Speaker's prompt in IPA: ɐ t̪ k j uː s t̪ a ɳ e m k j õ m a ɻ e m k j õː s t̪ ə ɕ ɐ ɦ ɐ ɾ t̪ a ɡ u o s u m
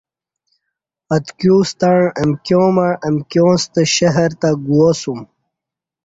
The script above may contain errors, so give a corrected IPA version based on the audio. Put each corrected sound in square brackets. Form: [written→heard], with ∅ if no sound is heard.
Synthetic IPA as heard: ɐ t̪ k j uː s t̪ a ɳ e m k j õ m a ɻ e m k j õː s t̪ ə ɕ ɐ ɦ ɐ ɾ t̪ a ɡ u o s u m